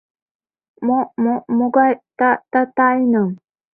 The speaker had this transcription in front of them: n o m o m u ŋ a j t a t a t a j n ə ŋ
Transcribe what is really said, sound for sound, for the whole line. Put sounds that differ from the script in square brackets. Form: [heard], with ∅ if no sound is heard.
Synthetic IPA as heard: [m] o m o m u [ɡ] a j t a t a t a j n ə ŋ